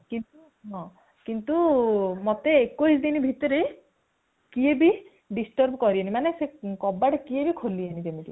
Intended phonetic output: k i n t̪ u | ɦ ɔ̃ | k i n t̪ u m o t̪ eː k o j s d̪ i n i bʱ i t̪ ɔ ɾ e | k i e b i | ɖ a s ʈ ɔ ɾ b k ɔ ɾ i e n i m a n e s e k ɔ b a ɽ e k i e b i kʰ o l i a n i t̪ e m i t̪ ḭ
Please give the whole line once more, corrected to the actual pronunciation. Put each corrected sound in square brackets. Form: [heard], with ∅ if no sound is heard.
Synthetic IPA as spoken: k i n t̪ u | ɦ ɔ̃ | k i n t̪ u m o t̪ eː k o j s d̪ i n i bʱ i t̪ ɔ ɾ e | k i e b i | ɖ [i] s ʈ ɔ ɾ b k ɔ ɾ i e n i m a n e s e k ɔ b a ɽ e k i e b i kʰ o l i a n i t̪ e m i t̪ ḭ

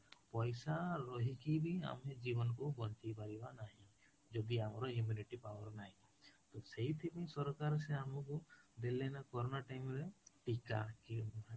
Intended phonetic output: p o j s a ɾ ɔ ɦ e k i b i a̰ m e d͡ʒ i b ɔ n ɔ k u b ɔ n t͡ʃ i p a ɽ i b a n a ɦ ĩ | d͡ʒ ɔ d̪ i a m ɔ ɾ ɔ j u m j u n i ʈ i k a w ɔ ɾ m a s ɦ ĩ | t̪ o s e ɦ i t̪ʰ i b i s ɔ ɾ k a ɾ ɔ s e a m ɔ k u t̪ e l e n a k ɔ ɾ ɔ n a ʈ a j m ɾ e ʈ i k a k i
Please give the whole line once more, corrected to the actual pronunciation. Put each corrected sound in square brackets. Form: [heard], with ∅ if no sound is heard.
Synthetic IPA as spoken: p [ɔ] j s a ɾ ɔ ɦ [i] k i b i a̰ m e d͡ʒ i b ɔ n ɔ k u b ɔ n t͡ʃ i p a [ɾ] i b a n a ɦ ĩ | d͡ʒ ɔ d̪ i a m ɔ ɾ ɔ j u m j u n i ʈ i [p] a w ɔ ɾ [n] a [∅] ɦ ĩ | t̪ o s e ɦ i t̪ʰ i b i s ɔ ɾ k a ɾ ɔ s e a m ɔ k u [d̪] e l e n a k ɔ ɾ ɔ n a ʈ a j m ɾ e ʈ i k a k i

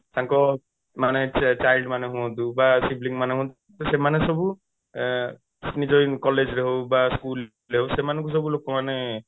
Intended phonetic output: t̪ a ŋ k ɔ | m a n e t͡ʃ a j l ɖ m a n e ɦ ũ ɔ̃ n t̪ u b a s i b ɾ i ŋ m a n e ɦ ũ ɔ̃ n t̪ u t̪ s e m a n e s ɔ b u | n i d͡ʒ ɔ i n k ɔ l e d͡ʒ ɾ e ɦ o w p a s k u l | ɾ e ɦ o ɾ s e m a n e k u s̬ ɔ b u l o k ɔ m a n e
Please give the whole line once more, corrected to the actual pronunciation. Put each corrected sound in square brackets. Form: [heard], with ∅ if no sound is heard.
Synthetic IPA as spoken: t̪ a ŋ k ɔ | m a n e t͡ʃ a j l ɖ m a n e ɦ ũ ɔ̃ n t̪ u b a s i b [l] i ŋ m a n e ɦ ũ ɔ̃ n t̪ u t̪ s e m a n e s ɔ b u | n i d͡ʒ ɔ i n k ɔ l e d͡ʒ ɾ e ɦ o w [b] a s k u l | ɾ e ɦ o [∅] s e m a n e k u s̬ ɔ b u l o k ɔ m a n e

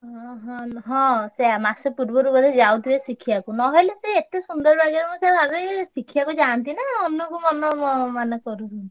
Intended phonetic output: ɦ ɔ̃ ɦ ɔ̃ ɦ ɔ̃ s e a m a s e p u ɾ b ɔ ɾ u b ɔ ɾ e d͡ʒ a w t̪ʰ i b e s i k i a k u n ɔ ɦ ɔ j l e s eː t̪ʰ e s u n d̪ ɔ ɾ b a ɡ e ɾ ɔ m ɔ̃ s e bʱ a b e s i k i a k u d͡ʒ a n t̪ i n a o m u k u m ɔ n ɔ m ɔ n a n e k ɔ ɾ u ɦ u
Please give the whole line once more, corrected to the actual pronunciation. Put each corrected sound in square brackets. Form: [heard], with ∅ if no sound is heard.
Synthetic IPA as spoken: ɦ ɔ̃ ɦ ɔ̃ ɦ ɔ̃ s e a m a s e p u ɾ b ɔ ɾ u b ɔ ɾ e d͡ʒ a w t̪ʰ i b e s i [kʰ] i a k u n ɔ ɦ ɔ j l e s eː [t̪] e s u n d̪ ɔ ɾ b a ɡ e ɾ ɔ m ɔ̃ s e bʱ a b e s i [kʰ] i a k u d͡ʒ a n t̪ i n a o [n] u k u m ɔ n ɔ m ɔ [m] a n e k ɔ ɾ u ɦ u

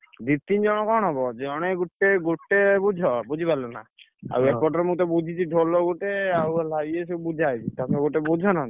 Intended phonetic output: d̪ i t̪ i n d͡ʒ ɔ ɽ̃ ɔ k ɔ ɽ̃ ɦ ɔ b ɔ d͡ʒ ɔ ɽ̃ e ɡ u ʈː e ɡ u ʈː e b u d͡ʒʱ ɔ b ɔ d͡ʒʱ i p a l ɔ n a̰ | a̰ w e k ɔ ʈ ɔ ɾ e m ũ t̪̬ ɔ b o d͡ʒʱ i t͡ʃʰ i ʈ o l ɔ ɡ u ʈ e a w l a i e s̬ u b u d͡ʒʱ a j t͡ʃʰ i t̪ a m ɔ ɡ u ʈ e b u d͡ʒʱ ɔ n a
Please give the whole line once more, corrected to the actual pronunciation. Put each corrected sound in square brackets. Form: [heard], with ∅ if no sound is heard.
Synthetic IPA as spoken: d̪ i t̪ i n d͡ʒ ɔ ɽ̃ ɔ k ɔ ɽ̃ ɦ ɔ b ɔ d͡ʒ ɔ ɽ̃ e ɡ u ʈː e ɡ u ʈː e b u d͡ʒʱ ɔ b [u] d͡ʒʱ i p a l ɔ n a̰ | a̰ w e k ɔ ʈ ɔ ɾ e m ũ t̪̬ ɔ b [u] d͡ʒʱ i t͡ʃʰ i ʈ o l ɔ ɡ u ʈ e a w l a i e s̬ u b u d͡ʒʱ a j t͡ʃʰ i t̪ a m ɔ ɡ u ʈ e b u d͡ʒʱ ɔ n a

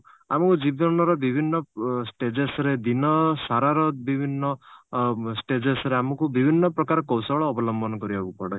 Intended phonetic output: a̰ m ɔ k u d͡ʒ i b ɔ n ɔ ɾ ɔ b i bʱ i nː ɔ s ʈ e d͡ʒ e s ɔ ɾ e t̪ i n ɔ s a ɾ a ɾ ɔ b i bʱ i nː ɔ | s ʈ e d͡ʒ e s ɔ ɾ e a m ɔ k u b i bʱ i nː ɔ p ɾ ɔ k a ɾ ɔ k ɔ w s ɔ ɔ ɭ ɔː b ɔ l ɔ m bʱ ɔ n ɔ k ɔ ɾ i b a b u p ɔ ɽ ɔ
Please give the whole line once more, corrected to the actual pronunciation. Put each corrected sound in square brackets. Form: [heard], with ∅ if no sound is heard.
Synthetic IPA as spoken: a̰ m ɔ k u d͡ʒ i b ɔ n ɔ ɾ ɔ b i bʱ i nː ɔ s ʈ e d͡ʒ e s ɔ ɾ e [d̪] i n ɔ s a ɾ a ɾ ɔ b i bʱ i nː ɔ | s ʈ e d͡ʒ e s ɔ ɾ e a m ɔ k u b i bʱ i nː ɔ p ɾ ɔ k a ɾ ɔ k ɔ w s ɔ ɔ ɭ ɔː b ɔ l ɔ m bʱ ɔ n ɔ k ɔ ɾ i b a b u p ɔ ɽ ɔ

